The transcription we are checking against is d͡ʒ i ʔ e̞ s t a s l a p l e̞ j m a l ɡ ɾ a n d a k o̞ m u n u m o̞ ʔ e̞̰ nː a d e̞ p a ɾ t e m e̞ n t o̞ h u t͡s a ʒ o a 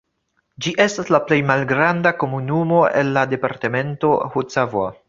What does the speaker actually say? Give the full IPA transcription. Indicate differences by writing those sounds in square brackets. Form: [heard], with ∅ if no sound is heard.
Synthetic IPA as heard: d͡ʒ i ʔ e̞ s t a s l a p l e̞ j m a l ɡ ɾ a n d a k o̞ m u n u m o̞ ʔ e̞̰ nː a d e̞ p a ɾ t e m e̞ n t o̞ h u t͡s a [v] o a